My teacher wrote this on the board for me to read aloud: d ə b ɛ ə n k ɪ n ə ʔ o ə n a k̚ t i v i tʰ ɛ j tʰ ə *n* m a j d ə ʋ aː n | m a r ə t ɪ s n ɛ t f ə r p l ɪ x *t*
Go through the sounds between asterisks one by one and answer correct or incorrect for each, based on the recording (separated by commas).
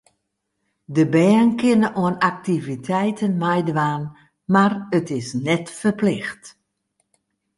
correct, correct